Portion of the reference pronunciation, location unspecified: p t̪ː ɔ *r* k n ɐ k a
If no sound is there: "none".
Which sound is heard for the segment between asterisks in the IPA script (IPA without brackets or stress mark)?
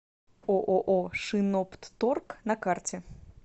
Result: r